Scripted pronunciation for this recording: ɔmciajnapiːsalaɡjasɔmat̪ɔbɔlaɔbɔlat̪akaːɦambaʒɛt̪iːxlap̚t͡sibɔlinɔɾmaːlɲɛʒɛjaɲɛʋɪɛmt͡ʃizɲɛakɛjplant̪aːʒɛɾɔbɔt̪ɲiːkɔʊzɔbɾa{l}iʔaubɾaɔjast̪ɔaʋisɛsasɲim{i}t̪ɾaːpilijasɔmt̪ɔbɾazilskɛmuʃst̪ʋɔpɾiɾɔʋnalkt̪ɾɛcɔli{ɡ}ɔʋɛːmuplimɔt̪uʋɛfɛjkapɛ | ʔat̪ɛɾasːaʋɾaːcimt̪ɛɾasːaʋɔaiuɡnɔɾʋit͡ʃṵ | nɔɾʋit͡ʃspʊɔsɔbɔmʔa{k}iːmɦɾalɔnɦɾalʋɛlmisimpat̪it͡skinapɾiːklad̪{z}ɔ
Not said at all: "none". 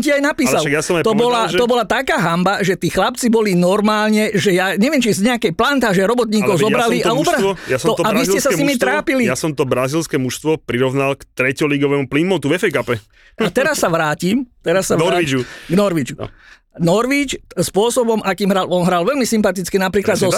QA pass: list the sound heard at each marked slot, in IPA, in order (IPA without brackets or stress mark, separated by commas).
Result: l, i, ɡ, k, z